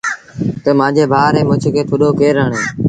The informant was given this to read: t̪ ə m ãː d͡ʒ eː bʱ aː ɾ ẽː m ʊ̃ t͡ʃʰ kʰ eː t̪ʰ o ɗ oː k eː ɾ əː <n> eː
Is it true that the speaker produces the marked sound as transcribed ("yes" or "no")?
no